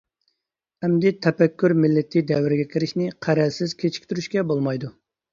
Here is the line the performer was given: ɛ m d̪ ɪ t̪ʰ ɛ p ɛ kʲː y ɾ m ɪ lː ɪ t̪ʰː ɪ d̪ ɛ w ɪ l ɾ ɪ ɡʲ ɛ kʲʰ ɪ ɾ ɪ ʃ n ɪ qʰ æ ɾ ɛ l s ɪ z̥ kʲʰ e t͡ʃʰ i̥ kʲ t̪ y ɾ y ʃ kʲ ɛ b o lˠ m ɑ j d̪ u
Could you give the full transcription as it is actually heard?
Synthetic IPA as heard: ɛ m d̪ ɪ t̪ʰ ɛ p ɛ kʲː y ɾ m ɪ lː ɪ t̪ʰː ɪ d̪ ɛ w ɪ ɾ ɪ ɡʲ ɛ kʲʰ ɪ ɾ ɪ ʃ n ɪ qʰ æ ɾ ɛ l s ɪ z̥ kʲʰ e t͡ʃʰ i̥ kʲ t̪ y ɾ y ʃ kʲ ɛ b o lˠ m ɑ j d̪ u